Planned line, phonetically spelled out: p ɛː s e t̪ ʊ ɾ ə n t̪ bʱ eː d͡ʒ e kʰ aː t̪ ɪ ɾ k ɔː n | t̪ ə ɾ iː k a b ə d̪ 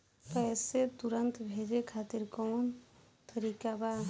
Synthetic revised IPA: p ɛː s e t̪ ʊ ɾ ə n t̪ bʱ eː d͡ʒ e kʰ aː t̪ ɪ ɾ k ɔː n | t̪ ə ɾ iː k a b a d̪